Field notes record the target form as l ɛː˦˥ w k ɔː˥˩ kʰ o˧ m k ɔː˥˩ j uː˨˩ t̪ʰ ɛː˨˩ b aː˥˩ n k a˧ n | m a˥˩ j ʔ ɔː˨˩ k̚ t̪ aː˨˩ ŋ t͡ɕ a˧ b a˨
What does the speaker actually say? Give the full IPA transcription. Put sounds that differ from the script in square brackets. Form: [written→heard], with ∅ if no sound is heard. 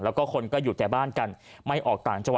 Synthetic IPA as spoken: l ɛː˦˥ w k ɔː˥˩ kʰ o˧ [m→n] k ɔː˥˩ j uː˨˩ [t̪ʰ→t̪] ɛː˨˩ b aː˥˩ n k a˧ n | m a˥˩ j ʔ ɔː˨˩ k̚ t̪ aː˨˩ ŋ t͡ɕ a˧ [b→w] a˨